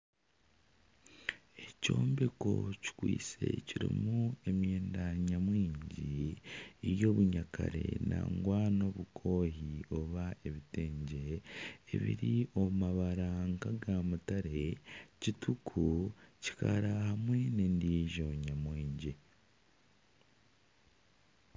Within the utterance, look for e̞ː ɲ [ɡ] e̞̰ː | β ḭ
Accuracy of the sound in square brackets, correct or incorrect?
incorrect